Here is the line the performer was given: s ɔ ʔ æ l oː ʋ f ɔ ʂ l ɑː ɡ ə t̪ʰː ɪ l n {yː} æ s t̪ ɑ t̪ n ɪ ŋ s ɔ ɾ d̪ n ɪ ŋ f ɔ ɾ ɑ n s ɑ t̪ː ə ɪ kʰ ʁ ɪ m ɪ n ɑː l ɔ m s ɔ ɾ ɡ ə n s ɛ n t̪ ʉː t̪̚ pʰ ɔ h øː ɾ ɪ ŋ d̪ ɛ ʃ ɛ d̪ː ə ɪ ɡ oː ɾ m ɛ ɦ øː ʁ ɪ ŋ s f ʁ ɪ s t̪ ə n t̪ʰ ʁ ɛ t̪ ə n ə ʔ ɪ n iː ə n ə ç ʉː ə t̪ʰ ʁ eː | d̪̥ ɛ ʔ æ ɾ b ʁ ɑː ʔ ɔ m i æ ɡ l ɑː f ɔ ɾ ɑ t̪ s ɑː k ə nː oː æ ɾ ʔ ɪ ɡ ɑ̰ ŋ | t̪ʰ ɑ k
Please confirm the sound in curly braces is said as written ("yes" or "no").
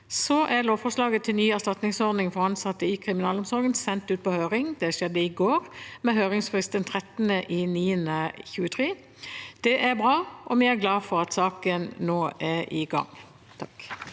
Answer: yes